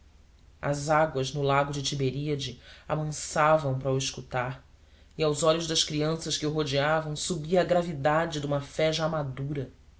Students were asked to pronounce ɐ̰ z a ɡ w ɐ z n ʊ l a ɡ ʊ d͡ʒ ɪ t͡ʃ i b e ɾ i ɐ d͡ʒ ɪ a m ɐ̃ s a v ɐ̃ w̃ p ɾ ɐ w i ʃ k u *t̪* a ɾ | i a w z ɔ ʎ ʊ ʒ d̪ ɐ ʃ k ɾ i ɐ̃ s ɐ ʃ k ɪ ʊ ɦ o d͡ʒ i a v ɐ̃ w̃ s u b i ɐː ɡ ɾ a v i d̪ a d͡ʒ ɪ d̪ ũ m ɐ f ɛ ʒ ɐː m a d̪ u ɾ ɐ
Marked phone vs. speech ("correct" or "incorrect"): correct